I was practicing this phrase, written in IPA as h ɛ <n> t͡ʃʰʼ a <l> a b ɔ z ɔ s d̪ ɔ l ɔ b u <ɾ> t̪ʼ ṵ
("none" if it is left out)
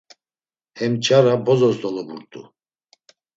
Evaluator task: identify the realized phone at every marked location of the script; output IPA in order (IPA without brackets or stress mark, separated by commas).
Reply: m, ɾ, ɾ